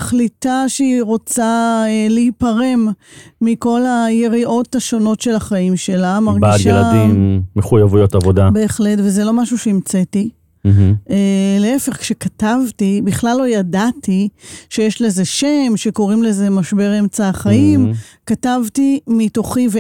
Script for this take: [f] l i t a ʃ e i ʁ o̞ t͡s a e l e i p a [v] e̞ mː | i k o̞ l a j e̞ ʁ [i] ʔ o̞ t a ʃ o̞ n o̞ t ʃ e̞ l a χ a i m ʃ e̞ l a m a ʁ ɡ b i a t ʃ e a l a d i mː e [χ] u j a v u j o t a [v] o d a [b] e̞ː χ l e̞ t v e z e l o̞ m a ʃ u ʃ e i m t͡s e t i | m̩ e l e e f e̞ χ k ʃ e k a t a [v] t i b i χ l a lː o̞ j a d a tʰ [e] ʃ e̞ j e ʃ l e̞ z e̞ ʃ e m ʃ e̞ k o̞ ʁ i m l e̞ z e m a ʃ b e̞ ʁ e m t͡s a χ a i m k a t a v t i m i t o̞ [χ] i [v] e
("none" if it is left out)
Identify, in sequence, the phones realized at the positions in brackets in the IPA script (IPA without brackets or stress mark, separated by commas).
χ, ʁ, i, χ, v, b, v, i, χ, v